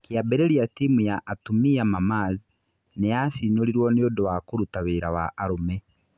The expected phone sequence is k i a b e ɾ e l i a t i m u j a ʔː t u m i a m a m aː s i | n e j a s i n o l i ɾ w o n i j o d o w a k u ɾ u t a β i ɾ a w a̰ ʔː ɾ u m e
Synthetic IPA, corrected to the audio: k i a b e ɾ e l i a t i m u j a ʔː t u m i a m a m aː z i | n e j a s i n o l i ɾ w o n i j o d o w a k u ɾ u t a β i ɾ a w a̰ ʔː ɾ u m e